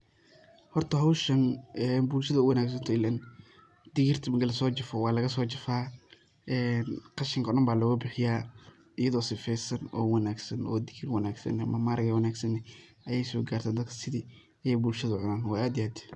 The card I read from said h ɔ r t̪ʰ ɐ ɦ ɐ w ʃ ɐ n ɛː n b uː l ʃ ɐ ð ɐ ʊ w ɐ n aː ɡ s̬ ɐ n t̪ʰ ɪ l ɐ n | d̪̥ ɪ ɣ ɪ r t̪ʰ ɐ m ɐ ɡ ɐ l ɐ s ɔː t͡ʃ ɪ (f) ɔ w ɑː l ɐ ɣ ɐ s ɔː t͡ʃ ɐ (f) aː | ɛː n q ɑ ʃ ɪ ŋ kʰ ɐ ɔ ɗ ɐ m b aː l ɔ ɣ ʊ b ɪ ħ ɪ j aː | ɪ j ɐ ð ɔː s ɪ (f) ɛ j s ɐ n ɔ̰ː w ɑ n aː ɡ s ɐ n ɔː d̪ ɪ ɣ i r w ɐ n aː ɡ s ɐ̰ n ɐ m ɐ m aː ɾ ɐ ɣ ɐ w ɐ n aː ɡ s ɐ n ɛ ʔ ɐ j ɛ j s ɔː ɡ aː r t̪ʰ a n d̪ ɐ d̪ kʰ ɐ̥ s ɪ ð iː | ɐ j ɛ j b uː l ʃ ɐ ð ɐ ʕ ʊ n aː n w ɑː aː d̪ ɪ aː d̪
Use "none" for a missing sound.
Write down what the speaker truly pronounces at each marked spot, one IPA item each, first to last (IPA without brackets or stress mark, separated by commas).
f, f, f